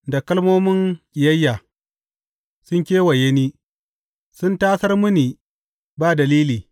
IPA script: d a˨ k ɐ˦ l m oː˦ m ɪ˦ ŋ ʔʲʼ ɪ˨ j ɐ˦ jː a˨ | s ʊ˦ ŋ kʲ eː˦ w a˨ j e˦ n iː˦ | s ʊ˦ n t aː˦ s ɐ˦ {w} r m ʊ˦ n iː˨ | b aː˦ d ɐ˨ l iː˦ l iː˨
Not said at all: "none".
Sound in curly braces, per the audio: none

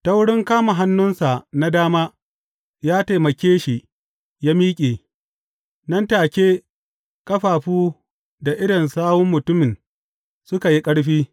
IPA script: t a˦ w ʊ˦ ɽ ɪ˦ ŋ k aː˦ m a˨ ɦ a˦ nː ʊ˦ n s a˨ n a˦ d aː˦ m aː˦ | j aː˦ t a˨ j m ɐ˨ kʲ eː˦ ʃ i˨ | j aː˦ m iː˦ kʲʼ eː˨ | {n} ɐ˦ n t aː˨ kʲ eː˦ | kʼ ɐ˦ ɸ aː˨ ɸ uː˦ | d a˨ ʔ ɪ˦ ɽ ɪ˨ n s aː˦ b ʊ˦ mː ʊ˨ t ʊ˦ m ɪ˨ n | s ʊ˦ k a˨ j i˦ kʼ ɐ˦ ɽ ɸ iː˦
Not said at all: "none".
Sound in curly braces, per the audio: n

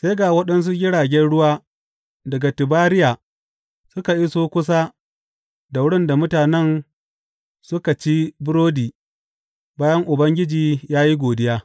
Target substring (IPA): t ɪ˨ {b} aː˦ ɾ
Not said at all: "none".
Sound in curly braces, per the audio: b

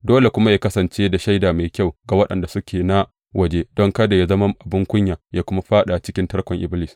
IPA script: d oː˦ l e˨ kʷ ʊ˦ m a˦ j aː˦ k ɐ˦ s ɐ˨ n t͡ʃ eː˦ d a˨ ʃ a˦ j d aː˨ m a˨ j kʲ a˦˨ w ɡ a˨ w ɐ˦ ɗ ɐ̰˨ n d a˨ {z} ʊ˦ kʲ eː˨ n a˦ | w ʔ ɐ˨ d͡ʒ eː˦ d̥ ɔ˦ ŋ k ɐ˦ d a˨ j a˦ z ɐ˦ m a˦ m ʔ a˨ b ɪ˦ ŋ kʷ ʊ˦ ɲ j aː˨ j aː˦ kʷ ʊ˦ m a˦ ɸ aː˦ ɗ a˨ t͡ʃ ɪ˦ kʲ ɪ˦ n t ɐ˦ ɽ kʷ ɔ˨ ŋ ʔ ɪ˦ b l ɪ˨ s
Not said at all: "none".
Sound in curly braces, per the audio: s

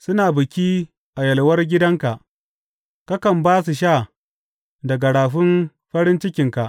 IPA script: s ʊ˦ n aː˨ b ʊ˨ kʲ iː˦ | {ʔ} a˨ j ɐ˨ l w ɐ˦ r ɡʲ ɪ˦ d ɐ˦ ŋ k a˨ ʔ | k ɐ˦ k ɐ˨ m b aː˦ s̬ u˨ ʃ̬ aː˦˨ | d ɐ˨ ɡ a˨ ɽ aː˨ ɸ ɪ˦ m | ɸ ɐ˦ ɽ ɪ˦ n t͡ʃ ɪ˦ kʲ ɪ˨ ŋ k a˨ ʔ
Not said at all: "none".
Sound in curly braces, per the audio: ʔ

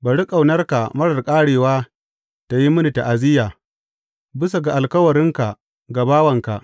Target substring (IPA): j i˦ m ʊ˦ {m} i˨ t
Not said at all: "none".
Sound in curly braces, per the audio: n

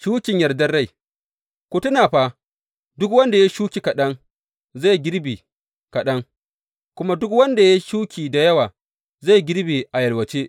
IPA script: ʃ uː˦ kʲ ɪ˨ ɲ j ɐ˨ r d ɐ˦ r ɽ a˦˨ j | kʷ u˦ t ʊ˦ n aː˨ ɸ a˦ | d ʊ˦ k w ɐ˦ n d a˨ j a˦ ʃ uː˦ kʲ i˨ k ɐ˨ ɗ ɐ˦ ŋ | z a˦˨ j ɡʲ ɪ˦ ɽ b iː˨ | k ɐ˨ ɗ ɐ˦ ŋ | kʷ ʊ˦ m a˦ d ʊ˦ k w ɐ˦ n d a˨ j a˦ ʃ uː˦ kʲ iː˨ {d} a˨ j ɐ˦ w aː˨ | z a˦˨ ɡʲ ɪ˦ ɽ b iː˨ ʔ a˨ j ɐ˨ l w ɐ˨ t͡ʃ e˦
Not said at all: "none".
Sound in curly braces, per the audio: d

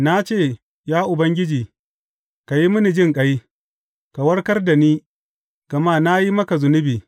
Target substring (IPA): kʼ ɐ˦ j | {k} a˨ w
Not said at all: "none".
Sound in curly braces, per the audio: k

